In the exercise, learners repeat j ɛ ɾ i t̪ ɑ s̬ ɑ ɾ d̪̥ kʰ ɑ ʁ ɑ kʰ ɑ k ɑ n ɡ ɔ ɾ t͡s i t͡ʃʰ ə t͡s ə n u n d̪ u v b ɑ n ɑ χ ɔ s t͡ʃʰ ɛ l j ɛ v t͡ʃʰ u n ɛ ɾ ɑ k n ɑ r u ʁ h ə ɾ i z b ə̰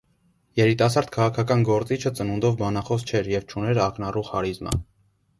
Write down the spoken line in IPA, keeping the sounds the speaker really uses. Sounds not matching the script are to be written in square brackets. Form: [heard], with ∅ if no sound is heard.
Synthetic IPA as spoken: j ɛ ɾ i t̪ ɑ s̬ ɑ ɾ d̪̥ kʰ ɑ ʁ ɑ kʰ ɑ k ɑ n ɡ ɔ ɾ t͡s i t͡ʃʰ ə t͡s ə n u n d̪ [ɔ] v b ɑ n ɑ χ ɔ s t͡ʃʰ ɛ [ɾ] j ɛ v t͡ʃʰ u n ɛ ɾ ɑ k n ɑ r u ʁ h [ɑ] ɾ i z [m] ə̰